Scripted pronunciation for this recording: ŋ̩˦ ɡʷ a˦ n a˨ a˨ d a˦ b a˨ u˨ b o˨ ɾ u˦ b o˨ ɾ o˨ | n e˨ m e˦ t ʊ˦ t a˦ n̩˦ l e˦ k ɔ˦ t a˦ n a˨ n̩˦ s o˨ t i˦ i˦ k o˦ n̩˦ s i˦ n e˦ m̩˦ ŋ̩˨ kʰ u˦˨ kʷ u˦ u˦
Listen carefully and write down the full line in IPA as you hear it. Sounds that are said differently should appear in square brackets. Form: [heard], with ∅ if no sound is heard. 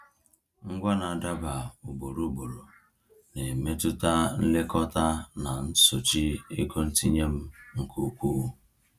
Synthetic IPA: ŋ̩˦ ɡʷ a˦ n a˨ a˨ d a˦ b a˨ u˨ b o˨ ɾ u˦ b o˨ ɾ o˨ | n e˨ m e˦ t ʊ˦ t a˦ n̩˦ l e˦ k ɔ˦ t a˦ n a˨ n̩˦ s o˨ [t͡ʃ] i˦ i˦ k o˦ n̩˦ [t] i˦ [ɲ] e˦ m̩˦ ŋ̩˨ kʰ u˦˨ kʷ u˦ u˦